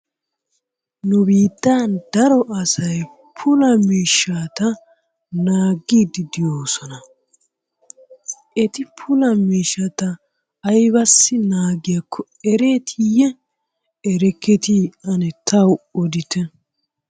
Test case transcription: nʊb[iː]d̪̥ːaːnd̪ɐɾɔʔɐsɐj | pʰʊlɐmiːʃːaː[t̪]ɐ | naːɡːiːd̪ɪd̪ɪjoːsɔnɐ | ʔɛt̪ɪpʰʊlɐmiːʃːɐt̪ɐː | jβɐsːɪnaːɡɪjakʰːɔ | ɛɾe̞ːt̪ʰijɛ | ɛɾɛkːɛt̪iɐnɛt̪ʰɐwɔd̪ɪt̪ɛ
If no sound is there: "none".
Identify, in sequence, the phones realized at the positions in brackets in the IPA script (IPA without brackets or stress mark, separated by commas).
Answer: iː, t̪